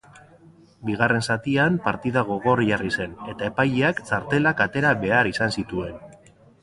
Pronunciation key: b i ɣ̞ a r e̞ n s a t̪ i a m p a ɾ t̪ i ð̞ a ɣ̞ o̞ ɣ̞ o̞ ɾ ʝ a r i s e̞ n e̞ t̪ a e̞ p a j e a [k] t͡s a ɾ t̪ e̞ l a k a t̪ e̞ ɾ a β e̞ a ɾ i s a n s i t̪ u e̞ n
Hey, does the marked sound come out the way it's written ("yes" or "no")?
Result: yes